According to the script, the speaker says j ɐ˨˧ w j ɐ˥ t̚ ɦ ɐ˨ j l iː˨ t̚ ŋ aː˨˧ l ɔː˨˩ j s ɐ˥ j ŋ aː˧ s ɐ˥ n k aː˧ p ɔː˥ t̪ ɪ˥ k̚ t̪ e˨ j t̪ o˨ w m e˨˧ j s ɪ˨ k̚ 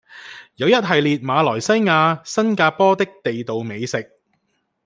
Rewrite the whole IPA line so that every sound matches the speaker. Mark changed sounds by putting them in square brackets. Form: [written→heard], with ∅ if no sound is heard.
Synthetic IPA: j ɐ˨˧ w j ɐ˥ t̚ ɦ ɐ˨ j l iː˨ t̚ [ŋ→m] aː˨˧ l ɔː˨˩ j s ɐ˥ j ŋ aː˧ s ɐ˥ n k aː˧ p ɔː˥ t̪ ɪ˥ k̚ t̪ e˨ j t̪ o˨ w m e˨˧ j s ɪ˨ k̚